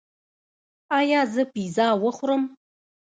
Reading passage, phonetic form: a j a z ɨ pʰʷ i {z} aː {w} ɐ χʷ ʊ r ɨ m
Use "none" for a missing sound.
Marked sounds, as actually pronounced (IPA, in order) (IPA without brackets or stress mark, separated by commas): z, w